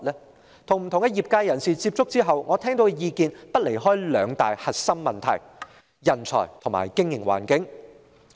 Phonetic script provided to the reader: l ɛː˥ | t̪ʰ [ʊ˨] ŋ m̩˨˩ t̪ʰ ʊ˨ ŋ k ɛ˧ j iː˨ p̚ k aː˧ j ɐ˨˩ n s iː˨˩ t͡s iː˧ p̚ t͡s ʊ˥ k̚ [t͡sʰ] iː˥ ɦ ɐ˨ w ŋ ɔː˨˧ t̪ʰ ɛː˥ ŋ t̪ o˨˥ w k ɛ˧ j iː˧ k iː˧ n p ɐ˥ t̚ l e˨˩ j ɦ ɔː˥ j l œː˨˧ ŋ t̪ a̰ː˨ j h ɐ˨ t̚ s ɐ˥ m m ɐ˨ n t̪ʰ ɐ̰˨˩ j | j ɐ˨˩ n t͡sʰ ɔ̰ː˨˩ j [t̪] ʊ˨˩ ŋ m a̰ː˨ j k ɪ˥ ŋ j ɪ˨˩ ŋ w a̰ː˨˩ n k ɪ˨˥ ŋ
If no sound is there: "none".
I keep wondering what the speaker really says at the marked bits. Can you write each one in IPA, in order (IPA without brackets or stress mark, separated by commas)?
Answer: ʊ˨, t͡s, t̪ʰ